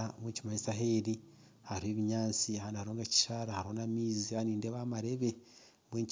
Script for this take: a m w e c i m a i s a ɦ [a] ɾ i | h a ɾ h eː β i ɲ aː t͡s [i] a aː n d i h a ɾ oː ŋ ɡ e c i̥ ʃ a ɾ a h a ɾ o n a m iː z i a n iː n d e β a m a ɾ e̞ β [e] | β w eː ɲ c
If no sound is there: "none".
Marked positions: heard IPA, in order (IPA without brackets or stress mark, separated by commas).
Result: e, i, e